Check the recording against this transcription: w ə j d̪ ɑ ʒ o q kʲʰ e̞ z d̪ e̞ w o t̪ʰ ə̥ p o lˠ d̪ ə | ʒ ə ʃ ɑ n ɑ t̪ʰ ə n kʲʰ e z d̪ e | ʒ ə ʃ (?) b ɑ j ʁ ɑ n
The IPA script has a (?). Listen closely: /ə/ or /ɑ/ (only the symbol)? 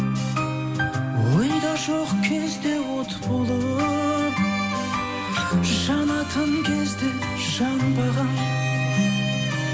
ɑ